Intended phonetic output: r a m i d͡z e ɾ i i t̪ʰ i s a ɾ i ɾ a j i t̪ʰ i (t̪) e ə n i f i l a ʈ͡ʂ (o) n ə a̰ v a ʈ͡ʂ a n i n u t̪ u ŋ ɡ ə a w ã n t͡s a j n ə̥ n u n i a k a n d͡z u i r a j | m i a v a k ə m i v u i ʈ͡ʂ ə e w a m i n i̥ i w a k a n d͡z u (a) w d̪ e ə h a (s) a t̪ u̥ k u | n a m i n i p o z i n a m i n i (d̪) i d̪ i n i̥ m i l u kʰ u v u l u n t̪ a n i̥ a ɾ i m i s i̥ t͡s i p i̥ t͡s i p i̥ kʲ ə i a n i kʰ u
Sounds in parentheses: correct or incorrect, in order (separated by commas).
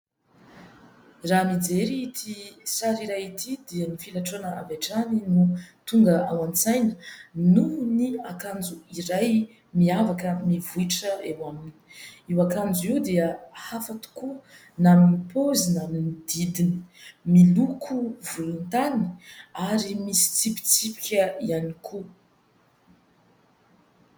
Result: incorrect, correct, incorrect, incorrect, correct